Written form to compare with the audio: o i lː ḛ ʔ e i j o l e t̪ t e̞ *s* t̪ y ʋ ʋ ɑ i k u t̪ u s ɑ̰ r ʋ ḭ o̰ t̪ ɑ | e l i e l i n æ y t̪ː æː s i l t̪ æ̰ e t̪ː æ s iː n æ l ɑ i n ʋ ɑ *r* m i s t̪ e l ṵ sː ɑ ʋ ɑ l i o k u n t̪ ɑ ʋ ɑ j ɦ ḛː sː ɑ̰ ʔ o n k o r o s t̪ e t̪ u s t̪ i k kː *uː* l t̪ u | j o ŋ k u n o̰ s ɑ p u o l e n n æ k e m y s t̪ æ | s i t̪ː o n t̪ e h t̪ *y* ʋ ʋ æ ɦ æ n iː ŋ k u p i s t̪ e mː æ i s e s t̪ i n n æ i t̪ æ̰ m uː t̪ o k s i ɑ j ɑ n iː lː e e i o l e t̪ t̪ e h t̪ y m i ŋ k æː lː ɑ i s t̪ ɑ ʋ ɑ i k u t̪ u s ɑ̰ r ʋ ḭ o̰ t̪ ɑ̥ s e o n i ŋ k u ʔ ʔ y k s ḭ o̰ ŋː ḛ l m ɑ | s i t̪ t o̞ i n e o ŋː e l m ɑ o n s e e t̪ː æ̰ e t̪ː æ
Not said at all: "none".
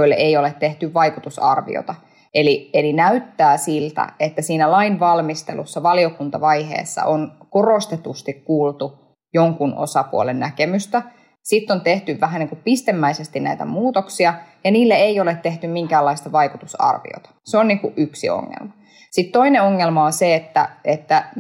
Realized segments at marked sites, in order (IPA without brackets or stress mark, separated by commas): h, l, uː, y